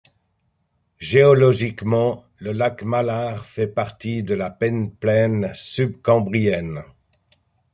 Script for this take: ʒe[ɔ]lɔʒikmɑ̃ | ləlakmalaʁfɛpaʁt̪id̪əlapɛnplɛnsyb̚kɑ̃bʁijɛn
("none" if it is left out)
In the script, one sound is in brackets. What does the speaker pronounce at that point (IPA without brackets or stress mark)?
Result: ɔ